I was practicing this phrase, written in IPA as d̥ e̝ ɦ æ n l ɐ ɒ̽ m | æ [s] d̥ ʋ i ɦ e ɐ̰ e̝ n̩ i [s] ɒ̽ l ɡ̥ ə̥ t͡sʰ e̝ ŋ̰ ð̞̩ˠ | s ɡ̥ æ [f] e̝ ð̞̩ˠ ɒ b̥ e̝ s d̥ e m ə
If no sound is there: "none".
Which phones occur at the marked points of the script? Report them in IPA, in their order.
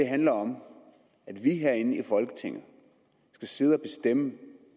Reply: none, f, s

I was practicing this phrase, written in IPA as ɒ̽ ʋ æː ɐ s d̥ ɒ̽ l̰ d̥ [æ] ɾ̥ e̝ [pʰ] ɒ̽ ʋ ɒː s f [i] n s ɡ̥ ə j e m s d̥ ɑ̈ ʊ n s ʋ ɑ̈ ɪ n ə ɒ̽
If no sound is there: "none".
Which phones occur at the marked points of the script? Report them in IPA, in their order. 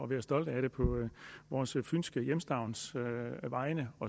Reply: æ, pʰ, y

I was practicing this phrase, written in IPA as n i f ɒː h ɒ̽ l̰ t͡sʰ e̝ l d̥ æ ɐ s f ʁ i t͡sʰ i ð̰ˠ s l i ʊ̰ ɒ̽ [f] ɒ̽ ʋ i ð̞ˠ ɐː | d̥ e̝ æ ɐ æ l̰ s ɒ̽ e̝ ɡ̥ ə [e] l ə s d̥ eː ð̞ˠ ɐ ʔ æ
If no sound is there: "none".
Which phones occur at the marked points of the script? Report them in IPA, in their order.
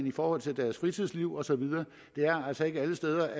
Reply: s, æ

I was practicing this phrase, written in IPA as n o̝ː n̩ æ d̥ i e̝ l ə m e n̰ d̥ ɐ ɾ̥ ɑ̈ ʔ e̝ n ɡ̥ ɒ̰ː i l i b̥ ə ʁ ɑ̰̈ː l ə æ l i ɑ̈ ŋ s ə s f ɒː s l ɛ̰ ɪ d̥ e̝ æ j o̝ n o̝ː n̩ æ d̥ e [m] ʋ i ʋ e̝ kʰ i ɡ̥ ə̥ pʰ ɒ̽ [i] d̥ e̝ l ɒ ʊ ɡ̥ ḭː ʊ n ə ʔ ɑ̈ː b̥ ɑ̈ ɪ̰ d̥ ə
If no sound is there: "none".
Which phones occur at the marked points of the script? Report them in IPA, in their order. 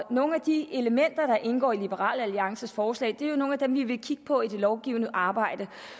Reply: m, i

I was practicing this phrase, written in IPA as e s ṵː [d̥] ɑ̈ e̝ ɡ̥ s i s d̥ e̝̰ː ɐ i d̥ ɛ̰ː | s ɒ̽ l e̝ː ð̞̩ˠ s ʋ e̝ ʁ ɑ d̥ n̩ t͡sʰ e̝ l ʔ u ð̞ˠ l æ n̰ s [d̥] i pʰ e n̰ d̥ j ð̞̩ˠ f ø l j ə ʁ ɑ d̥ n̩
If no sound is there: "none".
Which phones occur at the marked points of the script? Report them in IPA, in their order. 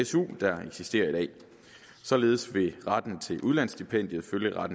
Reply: d̥, d̥

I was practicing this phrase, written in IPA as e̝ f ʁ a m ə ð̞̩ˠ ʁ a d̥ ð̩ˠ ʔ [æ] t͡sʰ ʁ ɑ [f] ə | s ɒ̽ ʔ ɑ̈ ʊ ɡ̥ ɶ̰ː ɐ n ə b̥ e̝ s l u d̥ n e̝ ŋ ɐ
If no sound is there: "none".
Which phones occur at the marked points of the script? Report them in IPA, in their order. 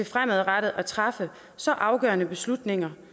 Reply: æ, f

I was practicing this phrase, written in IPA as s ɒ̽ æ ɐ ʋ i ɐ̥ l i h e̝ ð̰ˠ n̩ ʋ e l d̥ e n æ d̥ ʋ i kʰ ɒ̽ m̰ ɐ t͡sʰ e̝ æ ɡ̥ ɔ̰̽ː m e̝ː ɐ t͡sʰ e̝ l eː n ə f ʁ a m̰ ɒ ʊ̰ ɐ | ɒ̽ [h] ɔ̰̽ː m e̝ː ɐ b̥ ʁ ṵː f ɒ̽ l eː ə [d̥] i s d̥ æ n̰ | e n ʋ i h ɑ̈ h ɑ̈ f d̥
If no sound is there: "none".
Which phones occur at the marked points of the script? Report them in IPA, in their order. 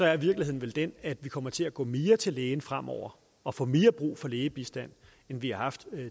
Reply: f, b̥

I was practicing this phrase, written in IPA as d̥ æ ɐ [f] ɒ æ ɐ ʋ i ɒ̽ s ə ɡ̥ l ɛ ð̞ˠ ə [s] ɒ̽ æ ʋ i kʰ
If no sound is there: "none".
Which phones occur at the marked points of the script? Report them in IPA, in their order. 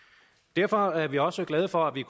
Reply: f, f

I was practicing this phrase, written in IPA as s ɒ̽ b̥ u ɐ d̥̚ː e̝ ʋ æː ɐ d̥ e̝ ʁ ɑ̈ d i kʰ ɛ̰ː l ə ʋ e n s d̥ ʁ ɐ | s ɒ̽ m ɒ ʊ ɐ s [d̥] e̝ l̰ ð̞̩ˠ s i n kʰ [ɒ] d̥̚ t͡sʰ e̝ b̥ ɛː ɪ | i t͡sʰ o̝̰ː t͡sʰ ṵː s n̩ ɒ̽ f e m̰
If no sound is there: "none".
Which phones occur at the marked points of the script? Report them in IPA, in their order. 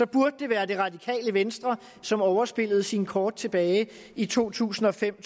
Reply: b̥, ɒː

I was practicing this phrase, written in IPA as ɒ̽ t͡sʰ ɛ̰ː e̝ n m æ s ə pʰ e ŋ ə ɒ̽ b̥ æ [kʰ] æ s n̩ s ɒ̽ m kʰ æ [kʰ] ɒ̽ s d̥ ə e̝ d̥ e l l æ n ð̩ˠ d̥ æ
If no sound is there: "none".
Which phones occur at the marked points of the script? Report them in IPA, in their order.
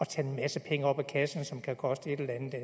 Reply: kʰ, kʰ

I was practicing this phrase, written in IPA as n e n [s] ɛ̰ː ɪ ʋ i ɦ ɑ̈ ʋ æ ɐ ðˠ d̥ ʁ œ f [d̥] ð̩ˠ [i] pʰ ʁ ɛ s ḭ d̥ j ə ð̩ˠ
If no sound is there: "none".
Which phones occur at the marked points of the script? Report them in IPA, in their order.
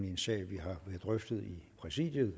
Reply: s, d̥, i

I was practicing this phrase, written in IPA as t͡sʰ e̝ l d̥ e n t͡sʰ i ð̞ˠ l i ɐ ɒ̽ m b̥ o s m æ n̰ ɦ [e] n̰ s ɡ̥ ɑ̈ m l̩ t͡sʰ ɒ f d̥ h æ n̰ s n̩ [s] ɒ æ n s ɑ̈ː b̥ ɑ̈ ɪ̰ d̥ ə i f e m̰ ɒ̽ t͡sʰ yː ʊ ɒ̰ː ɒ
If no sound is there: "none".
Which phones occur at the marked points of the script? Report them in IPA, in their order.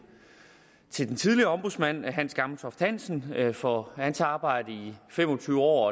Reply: æ, f

